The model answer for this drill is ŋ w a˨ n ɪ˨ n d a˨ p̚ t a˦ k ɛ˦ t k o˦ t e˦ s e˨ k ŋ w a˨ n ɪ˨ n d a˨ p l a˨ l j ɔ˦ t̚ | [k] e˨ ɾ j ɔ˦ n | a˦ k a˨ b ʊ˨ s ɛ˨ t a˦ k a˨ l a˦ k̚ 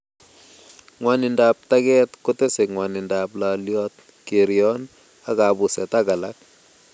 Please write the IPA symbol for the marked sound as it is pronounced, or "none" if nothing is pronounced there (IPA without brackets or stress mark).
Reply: k